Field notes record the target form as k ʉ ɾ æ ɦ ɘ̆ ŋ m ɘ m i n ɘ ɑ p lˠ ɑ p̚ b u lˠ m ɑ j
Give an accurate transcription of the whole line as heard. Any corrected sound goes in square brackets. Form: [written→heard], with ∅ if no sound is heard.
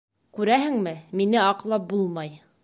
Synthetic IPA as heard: k ʉ ɾ æ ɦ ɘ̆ ŋ m ɘ m i n ɘ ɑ [p→q] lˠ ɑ p̚ b u lˠ m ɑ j